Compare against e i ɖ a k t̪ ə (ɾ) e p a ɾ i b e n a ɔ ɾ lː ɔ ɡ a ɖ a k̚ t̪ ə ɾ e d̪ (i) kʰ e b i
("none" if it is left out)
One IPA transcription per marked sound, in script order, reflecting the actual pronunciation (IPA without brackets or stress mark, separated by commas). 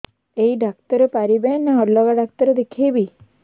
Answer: ɾ, e